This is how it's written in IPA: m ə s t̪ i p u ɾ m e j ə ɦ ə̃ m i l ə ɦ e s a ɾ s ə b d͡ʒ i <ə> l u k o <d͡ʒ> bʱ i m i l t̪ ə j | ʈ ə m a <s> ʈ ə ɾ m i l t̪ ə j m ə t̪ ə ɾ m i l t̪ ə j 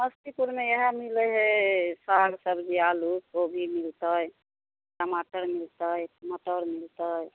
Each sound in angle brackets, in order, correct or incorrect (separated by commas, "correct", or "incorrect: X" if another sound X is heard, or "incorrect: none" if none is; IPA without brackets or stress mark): incorrect: a, incorrect: none, incorrect: none